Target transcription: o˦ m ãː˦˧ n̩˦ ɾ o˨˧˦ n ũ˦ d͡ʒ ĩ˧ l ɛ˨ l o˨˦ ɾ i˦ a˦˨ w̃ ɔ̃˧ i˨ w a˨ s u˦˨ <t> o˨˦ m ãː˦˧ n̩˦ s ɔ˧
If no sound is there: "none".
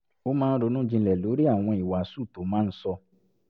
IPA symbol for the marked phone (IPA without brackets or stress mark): t